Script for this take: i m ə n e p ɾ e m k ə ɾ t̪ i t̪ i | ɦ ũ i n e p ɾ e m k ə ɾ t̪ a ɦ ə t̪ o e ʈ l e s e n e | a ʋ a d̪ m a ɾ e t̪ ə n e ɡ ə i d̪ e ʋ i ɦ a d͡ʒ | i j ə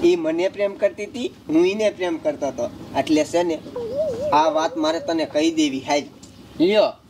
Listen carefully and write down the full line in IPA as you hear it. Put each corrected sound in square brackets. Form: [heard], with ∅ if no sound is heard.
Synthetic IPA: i m ə n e p ɾ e m k ə ɾ t̪ i t̪ i | ɦ ũ i n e p ɾ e m k ə ɾ t̪ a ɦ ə t̪ o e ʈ l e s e n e | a ʋ a [t̪] m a ɾ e t̪ ə n e [k] ə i d̪ e ʋ i ɦ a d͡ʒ | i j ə